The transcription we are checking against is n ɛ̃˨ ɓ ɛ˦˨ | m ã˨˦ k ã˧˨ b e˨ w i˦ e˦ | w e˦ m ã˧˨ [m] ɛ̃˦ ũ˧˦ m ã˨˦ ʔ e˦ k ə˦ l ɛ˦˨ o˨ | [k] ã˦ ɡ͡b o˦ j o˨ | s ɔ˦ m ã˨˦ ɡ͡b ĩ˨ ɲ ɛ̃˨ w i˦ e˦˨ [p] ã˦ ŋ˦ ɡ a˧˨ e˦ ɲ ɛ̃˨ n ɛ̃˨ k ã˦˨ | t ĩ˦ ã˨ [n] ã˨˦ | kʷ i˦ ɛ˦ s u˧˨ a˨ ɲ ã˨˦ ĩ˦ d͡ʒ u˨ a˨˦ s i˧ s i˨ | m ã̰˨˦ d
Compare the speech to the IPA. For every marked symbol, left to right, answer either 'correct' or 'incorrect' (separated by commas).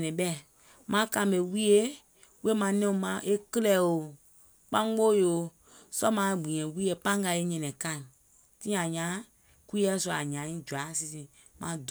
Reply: incorrect, incorrect, correct, incorrect